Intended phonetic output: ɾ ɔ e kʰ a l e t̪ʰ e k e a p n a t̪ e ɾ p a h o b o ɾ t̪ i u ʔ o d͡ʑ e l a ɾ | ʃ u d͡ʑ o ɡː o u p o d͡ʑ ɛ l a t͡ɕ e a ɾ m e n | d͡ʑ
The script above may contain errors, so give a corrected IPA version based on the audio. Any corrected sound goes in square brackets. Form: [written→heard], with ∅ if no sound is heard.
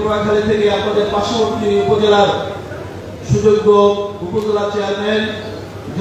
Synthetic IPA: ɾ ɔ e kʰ a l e t̪ʰ e k e a p n a [t̪→d̪] e ɾ p a [h→ʃ] o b o ɾ t̪ i u [ʔ→p] o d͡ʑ e l a ɾ | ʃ u d͡ʑ o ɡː o u p o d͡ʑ [ɛ→e] l a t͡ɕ e a ɾ m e n | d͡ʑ